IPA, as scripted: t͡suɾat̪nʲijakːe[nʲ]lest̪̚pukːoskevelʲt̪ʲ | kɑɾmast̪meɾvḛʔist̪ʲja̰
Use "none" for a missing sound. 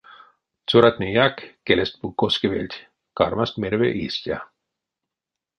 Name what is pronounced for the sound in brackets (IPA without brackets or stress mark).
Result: none